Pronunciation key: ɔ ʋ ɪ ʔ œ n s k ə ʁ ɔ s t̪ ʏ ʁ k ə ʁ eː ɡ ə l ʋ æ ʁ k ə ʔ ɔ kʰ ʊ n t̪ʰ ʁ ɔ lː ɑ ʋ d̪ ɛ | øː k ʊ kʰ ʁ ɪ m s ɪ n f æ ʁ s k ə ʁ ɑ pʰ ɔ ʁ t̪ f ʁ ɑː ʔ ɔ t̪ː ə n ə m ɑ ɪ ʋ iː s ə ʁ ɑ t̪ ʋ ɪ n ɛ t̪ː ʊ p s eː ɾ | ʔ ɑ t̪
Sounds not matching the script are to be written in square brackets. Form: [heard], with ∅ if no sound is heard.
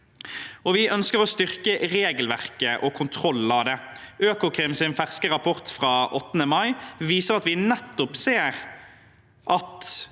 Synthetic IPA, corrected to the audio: ɔ ʋ ɪ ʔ œ n s k ə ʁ ɔ s t̪ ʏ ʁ k ə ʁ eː ɡ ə l ʋ æ ʁ k ə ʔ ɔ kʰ ʊ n t̪ʰ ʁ ɔ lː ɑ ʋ d̪ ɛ | øː k ʊ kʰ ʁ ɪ m s ɪ n f æ ʁ s k ə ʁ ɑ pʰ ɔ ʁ t̪ f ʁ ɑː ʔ ɔ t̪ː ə n ə m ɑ ɪ ʋ iː s ə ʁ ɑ t̪ ʋ ɪ n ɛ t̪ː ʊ p s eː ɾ | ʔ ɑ t̪